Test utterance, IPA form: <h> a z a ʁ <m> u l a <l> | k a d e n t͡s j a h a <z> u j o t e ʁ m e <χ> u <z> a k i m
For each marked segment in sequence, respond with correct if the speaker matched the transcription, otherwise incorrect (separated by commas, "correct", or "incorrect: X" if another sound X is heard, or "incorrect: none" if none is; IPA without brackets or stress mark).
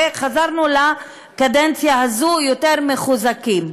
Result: incorrect: χ, incorrect: n, incorrect: none, correct, correct, correct